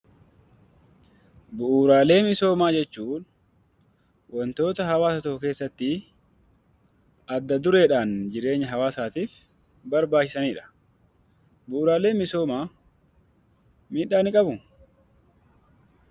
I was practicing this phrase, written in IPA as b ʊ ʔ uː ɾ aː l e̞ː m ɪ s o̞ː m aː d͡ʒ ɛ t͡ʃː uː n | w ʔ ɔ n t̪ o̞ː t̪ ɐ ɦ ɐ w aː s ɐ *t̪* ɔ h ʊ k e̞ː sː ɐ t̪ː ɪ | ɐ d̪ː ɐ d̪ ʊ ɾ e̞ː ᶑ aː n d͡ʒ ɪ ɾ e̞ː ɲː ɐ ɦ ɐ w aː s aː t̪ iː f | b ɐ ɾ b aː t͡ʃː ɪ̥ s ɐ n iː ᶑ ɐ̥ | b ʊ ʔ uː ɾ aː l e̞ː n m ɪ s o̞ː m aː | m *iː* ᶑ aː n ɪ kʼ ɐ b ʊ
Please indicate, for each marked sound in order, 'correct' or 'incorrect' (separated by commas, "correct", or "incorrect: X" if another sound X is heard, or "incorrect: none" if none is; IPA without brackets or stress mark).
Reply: correct, correct